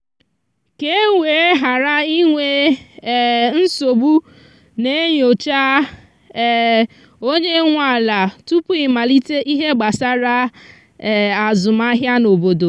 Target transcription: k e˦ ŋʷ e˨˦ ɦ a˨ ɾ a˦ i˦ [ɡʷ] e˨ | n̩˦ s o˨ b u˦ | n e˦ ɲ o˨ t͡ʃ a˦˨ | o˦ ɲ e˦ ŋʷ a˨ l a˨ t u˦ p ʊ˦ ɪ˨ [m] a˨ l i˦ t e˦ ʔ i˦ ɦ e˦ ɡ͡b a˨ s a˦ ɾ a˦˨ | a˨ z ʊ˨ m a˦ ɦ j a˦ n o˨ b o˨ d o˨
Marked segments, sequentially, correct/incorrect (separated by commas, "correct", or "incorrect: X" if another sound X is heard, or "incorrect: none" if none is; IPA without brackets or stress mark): incorrect: ŋʷ, correct